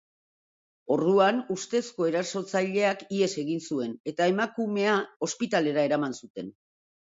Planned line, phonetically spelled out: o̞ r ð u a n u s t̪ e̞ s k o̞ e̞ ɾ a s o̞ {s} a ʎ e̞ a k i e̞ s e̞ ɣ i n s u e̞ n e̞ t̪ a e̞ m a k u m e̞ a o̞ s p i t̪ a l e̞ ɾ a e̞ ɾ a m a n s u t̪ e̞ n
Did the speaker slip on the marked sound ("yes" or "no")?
yes